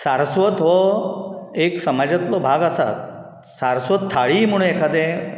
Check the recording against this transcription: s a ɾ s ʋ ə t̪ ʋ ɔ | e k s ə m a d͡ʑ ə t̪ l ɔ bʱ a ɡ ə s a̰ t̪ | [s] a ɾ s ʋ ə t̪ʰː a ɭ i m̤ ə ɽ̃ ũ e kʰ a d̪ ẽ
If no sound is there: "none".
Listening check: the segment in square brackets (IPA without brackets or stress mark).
s